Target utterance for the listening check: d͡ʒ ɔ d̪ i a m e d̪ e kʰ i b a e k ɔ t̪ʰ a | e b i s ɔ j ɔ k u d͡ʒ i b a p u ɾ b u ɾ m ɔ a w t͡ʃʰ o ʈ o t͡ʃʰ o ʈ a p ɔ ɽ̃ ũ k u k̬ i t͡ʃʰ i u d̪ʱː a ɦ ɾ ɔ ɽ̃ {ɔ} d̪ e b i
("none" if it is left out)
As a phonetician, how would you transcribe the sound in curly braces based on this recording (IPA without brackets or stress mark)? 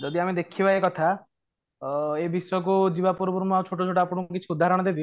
ɔ